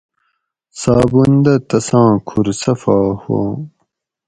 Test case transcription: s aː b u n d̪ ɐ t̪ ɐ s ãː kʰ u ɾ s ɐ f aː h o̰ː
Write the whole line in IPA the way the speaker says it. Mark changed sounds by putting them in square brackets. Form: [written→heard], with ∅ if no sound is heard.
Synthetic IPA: s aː b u n d̪ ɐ t̪ ɐ s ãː kʰ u ɾ s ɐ f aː h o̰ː